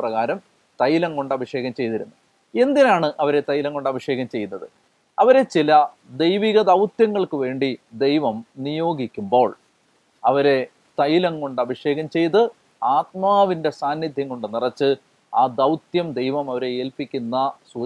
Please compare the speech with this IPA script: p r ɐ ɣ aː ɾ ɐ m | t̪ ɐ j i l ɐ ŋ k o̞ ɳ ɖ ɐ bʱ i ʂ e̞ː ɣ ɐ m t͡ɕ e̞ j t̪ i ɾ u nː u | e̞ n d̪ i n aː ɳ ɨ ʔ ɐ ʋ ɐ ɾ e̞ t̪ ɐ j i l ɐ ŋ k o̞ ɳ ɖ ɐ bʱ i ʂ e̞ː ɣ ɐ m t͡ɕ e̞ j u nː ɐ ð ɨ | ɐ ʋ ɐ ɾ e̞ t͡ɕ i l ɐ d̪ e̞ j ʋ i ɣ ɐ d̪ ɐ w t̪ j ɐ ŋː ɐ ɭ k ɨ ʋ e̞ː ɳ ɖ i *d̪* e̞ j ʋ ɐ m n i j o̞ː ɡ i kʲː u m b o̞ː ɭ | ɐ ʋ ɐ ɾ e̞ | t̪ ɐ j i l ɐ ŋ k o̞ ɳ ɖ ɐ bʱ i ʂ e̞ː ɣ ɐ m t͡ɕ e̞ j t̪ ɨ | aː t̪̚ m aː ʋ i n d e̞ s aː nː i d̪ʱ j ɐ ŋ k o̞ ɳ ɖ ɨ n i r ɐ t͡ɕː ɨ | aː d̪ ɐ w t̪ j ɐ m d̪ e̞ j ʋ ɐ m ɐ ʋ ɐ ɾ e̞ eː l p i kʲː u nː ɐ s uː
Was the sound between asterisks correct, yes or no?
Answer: yes